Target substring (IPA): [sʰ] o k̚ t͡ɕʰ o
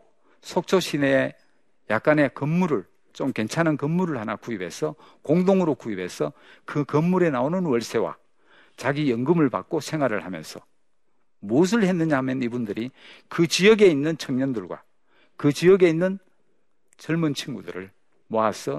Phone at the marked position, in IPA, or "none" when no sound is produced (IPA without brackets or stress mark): sʰ